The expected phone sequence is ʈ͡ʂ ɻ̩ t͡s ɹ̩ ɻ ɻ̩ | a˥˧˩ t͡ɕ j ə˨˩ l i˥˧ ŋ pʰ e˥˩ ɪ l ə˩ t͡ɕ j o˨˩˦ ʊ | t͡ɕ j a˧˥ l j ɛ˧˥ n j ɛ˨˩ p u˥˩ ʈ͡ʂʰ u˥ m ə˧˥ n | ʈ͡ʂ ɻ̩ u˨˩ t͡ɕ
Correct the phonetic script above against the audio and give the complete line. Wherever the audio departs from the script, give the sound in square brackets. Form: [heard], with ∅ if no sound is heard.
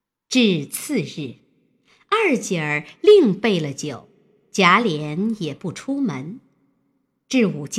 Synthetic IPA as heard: ʈ͡ʂ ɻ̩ [t͡sʰ] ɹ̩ ɻ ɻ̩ | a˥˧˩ t͡ɕ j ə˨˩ l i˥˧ ŋ [p] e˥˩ ɪ l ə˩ t͡ɕ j o˨˩˦ ʊ | t͡ɕ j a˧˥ l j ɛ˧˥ n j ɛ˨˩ p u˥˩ ʈ͡ʂʰ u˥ m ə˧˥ n | ʈ͡ʂ ɻ̩ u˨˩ t͡ɕ